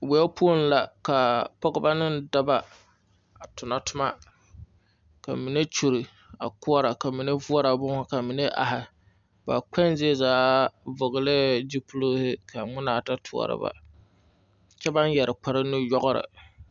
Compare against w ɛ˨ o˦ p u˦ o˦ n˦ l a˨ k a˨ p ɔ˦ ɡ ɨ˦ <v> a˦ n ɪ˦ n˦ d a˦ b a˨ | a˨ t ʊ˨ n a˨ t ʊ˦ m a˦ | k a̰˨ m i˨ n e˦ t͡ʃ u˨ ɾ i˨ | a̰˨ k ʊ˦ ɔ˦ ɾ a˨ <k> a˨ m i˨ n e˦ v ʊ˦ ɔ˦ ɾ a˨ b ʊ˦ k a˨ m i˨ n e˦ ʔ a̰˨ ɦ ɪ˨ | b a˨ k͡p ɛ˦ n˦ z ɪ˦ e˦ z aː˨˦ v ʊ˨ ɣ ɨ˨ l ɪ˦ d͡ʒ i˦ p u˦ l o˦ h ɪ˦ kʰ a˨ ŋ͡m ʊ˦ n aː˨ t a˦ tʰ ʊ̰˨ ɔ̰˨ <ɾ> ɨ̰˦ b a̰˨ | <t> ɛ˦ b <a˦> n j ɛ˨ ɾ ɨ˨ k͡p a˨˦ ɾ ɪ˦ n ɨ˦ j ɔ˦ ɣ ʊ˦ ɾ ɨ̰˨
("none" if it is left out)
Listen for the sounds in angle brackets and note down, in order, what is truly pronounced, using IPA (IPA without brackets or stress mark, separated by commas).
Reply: b, k, ɾ, t͡ʃ, a˦